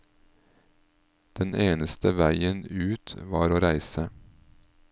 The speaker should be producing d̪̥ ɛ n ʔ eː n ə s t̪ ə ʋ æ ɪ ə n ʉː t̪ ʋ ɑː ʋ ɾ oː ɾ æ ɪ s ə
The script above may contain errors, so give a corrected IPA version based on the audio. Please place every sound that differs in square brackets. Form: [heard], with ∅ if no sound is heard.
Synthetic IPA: d̪̥ ɛ n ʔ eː n ə s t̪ ə ʋ æ ɪ ə n ʉː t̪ ʋ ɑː [∅] ɾ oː ɾ æ ɪ s ə